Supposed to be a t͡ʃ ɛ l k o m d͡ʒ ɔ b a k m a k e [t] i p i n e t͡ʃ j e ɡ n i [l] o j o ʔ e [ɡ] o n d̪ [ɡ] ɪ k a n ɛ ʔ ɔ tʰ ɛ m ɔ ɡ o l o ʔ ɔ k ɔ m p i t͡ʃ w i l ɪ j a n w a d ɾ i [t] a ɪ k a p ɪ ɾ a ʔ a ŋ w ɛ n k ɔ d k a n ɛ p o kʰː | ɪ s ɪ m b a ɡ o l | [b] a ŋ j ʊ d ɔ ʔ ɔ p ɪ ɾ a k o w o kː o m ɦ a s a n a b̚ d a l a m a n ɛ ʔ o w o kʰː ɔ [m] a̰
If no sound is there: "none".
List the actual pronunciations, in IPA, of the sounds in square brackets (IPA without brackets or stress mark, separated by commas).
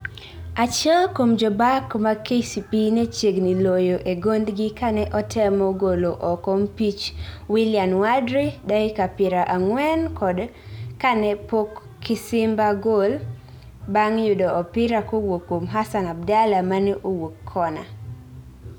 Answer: s, l, ɡ, ɡ, d, b, n